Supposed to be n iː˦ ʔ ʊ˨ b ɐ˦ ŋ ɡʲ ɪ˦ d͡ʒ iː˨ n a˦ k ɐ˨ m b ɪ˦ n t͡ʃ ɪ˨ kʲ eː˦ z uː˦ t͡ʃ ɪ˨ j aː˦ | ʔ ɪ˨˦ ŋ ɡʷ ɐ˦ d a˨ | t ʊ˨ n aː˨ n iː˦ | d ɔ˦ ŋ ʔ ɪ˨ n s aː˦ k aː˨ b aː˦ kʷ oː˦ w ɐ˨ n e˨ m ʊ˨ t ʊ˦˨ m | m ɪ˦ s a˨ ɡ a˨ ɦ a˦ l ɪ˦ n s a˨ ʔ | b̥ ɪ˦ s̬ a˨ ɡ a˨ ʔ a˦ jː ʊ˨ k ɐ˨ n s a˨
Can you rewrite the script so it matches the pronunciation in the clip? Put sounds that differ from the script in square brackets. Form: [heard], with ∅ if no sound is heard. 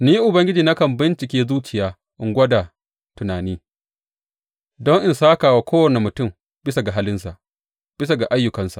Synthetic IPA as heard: n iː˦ ʔ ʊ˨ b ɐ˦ ŋ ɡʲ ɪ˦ d͡ʒ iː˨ n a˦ k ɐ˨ m b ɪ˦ n t͡ʃ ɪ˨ kʲ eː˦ z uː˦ t͡ʃ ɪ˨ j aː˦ | ʔ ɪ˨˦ ŋ ɡʷ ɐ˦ d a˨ | t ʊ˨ n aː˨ n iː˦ | d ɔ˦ ŋ ʔ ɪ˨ n s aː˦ k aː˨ [w] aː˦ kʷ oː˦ w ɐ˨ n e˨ m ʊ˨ t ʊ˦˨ m | [b] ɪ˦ s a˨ ɡ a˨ ɦ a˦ l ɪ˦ n s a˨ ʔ | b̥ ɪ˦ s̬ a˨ ɡ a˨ ʔ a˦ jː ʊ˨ k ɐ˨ n s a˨